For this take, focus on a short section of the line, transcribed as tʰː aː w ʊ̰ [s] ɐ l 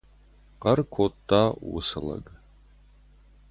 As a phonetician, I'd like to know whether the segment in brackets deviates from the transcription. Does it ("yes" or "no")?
no